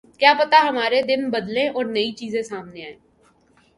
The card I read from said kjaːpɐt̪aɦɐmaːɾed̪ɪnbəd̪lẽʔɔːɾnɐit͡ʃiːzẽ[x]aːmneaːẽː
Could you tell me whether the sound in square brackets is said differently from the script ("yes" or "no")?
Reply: yes